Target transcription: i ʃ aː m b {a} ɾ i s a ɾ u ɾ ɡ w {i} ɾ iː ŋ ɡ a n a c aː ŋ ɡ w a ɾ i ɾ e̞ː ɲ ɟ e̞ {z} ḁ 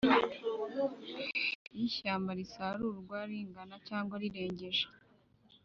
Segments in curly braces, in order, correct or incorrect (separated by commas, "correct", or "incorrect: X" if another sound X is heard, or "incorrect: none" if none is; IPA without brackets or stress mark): correct, incorrect: a, incorrect: ʒ